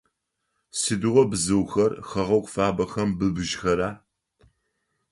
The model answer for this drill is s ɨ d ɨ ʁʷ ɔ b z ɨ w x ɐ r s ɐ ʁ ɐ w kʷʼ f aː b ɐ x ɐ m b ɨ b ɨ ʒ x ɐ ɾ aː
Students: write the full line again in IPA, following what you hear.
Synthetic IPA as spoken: s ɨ d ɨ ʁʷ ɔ b z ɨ w x ɐ r x ɐ ʁ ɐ w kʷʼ f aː b ɐ x ɐ m b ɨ b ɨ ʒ x ɐ ɾ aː